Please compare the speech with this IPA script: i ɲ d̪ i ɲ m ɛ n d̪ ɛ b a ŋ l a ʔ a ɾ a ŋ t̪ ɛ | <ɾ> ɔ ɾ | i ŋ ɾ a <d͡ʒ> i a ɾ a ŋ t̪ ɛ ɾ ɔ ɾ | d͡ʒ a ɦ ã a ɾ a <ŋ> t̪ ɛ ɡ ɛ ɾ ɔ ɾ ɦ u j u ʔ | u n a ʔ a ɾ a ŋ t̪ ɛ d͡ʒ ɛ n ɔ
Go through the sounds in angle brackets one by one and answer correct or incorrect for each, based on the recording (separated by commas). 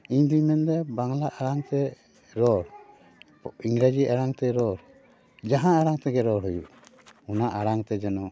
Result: correct, correct, correct